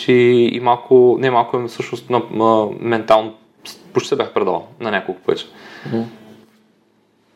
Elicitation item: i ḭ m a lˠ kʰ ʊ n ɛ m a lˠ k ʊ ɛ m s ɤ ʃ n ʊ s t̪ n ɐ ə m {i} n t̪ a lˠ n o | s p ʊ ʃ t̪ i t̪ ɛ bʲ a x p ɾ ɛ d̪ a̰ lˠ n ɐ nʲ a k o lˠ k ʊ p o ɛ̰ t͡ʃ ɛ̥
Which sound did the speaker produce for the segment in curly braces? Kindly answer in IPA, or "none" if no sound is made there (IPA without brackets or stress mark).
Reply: ɛ